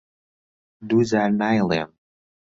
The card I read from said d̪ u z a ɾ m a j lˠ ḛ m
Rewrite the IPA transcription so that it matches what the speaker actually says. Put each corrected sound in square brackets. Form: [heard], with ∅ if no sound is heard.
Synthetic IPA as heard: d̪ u z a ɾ [n] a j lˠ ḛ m